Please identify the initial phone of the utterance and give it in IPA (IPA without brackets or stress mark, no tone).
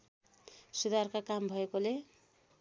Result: s